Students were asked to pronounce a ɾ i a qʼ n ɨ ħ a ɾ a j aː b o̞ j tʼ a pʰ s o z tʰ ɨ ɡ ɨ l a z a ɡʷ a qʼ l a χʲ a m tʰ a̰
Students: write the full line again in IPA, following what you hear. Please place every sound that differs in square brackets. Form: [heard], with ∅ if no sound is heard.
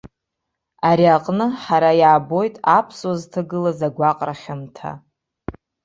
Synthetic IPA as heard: a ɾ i a qʼ n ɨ ħ a ɾ a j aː b o̞ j tʼ a pʰ s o z tʰ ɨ ɡ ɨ l a z a ɡʷ a qʼ [r] a χʲ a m tʰ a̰